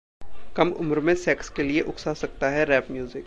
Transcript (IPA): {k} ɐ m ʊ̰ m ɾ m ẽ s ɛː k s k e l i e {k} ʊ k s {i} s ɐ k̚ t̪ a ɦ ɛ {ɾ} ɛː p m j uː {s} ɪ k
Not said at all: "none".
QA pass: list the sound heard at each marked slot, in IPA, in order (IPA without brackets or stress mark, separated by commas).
k, ʔ, a, ɾ, z